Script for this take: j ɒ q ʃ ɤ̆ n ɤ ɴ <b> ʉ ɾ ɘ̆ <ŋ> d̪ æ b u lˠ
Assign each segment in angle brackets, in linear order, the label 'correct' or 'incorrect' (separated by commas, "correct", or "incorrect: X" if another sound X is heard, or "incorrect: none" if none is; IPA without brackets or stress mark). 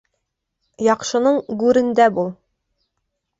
incorrect: ɡ, incorrect: n